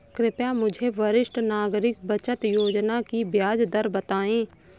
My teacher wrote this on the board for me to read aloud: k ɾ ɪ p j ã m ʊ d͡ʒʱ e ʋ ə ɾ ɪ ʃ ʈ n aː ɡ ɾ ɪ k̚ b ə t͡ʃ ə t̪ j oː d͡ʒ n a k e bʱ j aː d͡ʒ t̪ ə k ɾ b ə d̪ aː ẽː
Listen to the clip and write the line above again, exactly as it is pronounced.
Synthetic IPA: k ɾ ɪ p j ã m ʊ d͡ʒʱ e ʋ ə ɾ ɪ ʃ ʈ n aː ɡ ɾ ɪ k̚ b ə t͡ʃ ə t̪ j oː d͡ʒ n a k i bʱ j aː d͡ʒ d̪ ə ɾ b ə t̪ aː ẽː

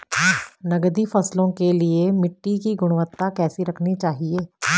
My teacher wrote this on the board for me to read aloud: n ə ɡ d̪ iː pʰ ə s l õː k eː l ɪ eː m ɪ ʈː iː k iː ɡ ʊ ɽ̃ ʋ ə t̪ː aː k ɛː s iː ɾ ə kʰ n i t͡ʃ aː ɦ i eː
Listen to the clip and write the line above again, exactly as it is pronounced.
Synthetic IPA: n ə ɡ d̪ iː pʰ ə s l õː k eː l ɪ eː m ɪ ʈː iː k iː ɡ ʊ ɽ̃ ʋ ə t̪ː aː k ɛː s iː ɾ ə kʰ n i t͡ʃ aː ɦ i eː

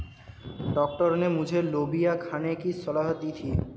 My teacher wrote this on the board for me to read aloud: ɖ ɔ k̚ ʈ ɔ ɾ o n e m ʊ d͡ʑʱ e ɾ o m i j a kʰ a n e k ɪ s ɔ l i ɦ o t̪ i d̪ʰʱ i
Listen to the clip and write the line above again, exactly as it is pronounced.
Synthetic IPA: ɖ ɔ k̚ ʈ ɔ ɾ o n e m u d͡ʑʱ e l o b i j a kʰ a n e k i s ɔ l a ɦ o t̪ i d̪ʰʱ i

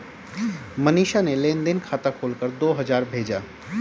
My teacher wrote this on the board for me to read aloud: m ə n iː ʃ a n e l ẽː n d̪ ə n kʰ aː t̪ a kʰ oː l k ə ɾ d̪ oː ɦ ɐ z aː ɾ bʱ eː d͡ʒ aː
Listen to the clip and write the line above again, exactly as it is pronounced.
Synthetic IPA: m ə n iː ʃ a n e l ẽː n d̪ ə n kʰ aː t̪ a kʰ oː l k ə ɾ d̪ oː ɦ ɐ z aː ɾ bʱ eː d͡ʒ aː

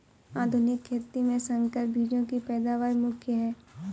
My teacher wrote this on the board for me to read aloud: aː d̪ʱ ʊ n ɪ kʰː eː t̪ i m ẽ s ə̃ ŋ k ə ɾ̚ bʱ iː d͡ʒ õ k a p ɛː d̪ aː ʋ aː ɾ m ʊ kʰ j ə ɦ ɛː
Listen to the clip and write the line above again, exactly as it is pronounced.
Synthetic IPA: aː d̪ʱ ʊ n ɪ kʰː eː t̪ i m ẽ s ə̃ ŋ k ə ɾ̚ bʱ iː d͡ʒ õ k i p ɛː d̪ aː ʋ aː ɾ m ʊ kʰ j ə ɦ ɛː

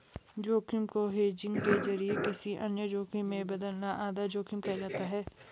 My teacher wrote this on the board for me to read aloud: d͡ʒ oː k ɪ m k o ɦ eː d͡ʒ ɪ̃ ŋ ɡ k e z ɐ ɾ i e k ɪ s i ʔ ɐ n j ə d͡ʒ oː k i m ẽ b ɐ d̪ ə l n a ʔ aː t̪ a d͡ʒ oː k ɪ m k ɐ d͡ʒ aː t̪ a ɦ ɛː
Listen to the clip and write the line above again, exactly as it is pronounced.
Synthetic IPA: d͡ʒ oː k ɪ m k o ɦ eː d͡ʒ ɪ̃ ŋ ɡ k e z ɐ ɾ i e k ɪ s i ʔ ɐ n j ə d͡ʒ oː k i m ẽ b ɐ d̪ ə l n a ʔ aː d̪ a d͡ʒ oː k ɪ m k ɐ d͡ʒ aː t̪ a ɦ ɛː

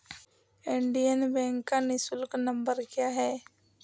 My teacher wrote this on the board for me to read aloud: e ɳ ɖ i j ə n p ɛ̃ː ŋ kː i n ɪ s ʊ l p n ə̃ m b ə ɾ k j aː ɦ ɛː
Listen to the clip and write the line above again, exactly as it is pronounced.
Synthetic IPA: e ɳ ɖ i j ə n b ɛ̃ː ŋ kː a n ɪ s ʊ l k n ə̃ m b ə ɾ k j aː ɦ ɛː

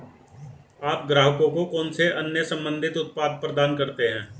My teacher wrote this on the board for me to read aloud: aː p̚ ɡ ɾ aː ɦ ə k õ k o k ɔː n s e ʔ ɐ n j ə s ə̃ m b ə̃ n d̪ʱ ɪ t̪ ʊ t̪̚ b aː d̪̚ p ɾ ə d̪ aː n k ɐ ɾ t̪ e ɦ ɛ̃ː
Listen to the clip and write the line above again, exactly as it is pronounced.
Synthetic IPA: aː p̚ ɡ ɾ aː ɦ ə k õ k o k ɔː n s e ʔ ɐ n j ə s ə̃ m b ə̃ n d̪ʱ ɪ t̪ ʊ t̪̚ p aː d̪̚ p ɾ ə d̪ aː n k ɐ ɾ t̪ e ɦ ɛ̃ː

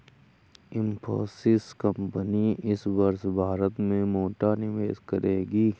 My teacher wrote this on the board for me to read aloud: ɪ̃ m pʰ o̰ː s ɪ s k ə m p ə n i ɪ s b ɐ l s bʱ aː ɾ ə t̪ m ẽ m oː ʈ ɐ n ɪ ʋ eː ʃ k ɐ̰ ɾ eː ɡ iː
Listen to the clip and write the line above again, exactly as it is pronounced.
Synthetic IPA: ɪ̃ m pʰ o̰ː s ɪ s k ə m p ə n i ɪ s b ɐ ɾ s bʱ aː ɾ ə t̪ m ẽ m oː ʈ a n ɪ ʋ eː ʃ k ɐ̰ ɾ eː ɡ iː

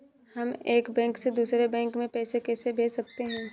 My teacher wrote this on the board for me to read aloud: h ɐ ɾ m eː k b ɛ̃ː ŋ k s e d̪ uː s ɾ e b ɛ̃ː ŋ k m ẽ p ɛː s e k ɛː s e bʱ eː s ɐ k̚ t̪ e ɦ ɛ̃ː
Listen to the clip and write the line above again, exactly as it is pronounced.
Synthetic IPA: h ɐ m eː k b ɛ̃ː ŋ k s e d̪ uː s ɾ e b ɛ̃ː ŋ k m ẽ p ɛː s e k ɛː s e bʱ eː s ɐ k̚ t̪ e ɦ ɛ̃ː

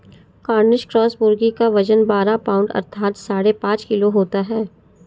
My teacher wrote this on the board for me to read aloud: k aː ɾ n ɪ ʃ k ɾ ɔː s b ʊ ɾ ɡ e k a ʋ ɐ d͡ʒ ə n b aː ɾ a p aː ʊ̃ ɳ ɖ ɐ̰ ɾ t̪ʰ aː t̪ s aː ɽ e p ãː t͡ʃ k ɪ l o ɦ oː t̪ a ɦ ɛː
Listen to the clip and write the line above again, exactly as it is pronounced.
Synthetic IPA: k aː ɾ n ɪ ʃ k ɾ ɔː s b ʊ ɾ ɡ i k a ʋ ɐ d͡ʒ ə n b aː ɾ a p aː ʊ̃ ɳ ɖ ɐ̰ ɾ t̪ʰ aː t̪ s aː ɽ e p ãː t͡ʃ k ɪ l o ɦ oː t̪ a ɦ ɛː

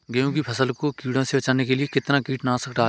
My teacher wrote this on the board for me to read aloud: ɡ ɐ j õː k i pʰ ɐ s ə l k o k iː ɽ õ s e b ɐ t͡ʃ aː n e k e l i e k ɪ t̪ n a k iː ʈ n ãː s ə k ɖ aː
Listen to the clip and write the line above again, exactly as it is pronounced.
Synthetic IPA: ɡ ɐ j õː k i pʰ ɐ s ə l k o k iː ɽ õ s e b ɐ t͡ʃ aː n e k e l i e k ɪ t̪ n a k iː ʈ n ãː s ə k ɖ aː

